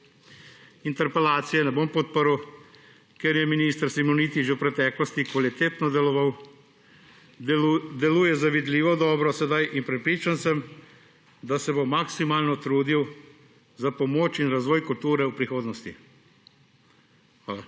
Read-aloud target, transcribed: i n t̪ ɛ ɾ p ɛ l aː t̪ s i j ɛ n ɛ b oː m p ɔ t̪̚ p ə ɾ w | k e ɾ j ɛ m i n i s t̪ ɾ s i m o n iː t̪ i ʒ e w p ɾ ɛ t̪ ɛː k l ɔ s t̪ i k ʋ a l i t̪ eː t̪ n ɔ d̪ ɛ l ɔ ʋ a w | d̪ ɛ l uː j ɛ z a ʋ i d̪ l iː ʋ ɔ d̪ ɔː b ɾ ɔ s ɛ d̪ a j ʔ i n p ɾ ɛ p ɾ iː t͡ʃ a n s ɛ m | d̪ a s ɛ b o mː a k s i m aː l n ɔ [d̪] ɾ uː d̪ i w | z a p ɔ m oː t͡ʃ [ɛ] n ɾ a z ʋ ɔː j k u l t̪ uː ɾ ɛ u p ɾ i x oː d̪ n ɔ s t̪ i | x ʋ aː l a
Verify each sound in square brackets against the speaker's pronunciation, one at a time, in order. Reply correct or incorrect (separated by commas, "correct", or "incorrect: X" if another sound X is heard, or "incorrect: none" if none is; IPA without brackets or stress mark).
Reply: incorrect: t̪, incorrect: i